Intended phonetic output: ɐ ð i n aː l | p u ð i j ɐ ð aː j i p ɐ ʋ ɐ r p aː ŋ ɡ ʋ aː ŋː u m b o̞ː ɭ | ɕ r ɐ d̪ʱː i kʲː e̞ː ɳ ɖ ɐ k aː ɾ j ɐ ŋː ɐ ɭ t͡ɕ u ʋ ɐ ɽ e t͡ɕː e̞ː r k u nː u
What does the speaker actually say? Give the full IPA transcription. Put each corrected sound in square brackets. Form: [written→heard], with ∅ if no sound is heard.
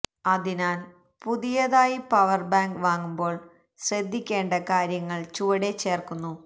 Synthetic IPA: ɐ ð i n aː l | p u ð i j ɐ ð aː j i p ɐ ʋ ɐ r [p→b] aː ŋ ɡ ʋ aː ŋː u m b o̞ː ɭ | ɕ r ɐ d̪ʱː i kʲː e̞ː ɳ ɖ ɐ k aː ɾ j ɐ ŋː ɐ ɭ t͡ɕ u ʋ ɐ ɽ e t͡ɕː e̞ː r k u nː u